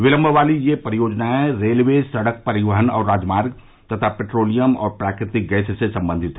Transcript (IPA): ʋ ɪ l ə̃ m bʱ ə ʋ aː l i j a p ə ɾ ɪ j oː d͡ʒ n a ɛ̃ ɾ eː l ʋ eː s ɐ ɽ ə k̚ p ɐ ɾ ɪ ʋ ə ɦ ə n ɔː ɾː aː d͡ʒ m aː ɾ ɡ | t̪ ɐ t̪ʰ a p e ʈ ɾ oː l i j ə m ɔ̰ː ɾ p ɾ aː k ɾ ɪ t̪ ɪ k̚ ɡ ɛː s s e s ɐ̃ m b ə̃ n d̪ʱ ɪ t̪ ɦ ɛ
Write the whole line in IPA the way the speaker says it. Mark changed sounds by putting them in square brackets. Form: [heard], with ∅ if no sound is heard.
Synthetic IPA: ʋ ɪ l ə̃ m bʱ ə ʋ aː l i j [e] p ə ɾ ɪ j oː d͡ʒ n a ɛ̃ ɾ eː l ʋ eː s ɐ ɽ ə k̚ p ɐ ɾ ɪ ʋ ə ɦ ə n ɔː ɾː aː d͡ʒ m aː ɾ ɡ | t̪ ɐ t̪ʰ a p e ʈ ɾ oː l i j ə m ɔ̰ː ɾ p ɾ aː k ɾ ɪ t̪ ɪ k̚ ɡ ɛː s s e s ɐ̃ m b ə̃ n d̪ʱ ɪ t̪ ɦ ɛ